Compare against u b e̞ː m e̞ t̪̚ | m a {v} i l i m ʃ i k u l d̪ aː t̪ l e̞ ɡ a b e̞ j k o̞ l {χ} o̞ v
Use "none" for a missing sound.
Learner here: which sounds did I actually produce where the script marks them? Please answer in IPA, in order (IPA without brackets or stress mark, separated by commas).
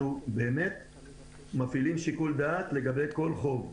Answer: f, χ